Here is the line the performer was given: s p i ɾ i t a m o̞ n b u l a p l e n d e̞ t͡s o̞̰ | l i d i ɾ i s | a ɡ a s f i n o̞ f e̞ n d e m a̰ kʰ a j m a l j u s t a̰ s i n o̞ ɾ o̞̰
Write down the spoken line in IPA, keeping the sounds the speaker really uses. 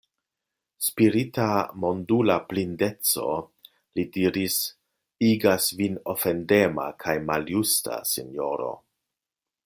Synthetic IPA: s p i ɾ i t a m o̞ n d u l a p l i n d e̞ t͡s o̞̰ | l i d i ɾ i s | i ɡ a s v i n o̞ f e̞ n d e m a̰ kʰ a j m a l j u s t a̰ s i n o̞ ɾ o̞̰